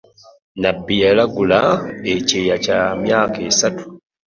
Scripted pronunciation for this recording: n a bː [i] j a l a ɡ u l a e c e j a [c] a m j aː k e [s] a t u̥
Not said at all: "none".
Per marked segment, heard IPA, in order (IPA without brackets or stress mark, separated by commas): i, c, s